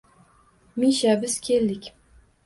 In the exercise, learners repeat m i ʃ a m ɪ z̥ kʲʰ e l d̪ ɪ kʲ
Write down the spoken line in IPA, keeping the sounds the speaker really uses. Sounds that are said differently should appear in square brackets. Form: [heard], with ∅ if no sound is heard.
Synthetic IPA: m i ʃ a [b] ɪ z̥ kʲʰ e l d̪ ɪ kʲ